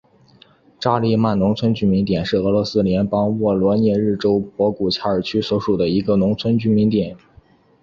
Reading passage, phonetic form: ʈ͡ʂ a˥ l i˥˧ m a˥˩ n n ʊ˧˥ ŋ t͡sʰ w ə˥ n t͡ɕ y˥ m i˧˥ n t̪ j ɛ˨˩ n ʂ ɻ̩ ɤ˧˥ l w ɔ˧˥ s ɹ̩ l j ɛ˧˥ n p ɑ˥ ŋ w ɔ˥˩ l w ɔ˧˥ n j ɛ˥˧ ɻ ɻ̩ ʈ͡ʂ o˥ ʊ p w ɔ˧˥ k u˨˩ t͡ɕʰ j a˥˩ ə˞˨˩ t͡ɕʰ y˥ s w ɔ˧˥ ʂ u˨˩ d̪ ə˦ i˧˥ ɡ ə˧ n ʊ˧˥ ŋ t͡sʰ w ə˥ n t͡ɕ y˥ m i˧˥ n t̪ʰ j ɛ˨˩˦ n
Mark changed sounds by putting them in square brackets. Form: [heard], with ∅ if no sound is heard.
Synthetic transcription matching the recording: ʈ͡ʂ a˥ l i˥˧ m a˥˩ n n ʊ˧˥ ŋ t͡sʰ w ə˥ n t͡ɕ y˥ m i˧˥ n t̪ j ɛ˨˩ n ʂ ɻ̩ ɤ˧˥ l w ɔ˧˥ s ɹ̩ l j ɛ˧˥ n p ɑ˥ ŋ w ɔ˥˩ l w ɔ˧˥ n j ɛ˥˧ ɻ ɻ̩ ʈ͡ʂ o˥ ʊ p w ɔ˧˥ k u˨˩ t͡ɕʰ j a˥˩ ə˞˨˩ t͡ɕʰ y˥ s w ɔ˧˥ ʂ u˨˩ d̪ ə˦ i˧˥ ɡ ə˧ n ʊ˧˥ ŋ t͡sʰ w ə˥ n t͡ɕ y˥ m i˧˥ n [t̪] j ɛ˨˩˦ n